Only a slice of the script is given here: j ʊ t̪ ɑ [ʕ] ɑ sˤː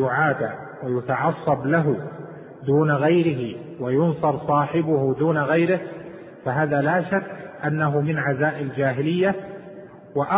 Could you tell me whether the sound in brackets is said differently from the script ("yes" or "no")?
no